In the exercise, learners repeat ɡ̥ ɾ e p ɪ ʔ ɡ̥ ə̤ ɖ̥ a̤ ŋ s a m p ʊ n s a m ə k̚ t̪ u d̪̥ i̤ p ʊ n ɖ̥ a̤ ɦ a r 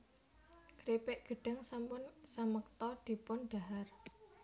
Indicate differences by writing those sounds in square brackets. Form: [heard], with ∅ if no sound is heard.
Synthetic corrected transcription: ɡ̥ ɾ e p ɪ ʔ ɡ̥ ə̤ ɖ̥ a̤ ŋ s a m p ʊ n s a m ə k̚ t̪ [ɔ] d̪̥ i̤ p ʊ n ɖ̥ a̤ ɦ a r